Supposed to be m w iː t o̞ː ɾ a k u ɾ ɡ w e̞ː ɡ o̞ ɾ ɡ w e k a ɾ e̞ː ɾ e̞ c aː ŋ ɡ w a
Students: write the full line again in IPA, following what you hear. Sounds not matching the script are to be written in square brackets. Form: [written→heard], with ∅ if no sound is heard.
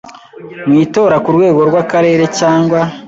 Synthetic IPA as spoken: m w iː t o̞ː ɾ a k u ɾ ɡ w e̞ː ɡ o̞ ɾ ɡ w [e→a] k a ɾ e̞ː ɾ e̞ c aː ŋ ɡ w a